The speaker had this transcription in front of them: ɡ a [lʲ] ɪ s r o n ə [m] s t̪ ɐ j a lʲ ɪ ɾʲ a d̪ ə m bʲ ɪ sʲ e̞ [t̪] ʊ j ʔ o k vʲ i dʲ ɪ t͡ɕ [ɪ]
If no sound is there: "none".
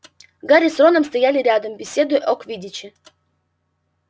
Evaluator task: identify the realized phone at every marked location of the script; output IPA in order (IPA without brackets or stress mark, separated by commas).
ɾʲ, m, d̪, ɪ